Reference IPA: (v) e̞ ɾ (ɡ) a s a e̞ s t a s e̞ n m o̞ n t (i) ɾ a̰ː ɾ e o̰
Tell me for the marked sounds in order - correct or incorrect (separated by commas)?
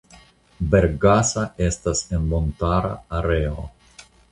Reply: incorrect, correct, incorrect